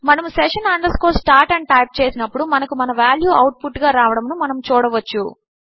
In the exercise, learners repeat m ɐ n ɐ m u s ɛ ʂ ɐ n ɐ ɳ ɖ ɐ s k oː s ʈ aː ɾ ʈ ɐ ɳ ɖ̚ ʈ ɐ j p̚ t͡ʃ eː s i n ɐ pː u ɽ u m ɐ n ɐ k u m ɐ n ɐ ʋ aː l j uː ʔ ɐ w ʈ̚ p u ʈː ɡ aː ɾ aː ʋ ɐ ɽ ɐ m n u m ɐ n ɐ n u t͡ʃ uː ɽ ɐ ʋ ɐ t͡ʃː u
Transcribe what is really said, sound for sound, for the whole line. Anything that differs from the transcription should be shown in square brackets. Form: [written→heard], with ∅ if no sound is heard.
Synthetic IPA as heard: m ɐ n ɐ m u s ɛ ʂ ɐ n ɐ ɳ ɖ ɐ s k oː s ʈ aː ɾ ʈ ɐ ɳ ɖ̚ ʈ ɐ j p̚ t͡ʃ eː s i n ɐ pː u ɽ u m ɐ n ɐ k u m ɐ n ɐ ʋ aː l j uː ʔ ɐ w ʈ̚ p u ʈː ɡ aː ɾ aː ʋ ɐ ɽ ɐ m n u m ɐ n ɐ [n→m] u t͡ʃ uː ɽ ɐ ʋ ɐ t͡ʃː u